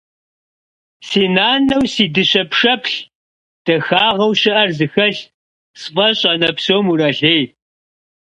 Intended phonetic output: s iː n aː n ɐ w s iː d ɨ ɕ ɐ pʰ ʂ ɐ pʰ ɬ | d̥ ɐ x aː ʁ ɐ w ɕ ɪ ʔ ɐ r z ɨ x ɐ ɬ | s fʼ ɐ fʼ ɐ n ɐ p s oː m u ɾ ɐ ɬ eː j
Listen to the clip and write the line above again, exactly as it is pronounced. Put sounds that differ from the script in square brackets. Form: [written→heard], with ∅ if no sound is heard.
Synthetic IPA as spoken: s iː n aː n ɐ w s iː d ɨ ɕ ɐ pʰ ʂ ɐ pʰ ɬ | d̥ ɐ x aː ʁ ɐ w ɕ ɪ ʔ ɐ r z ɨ x ɐ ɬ | s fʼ ɐ [fʼ→ɕʼ] ɐ n ɐ p s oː m u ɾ ɐ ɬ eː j